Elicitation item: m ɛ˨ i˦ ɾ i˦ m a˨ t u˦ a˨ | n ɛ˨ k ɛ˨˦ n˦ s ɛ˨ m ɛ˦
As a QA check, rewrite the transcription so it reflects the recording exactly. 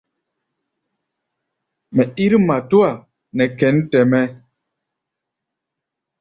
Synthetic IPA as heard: m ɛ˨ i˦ ɾ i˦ m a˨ t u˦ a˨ | n ɛ˨ k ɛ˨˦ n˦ t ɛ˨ m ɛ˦